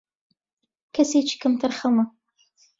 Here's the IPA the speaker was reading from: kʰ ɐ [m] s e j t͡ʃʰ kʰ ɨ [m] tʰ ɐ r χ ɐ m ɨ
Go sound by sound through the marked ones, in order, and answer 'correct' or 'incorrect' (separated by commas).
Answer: incorrect, correct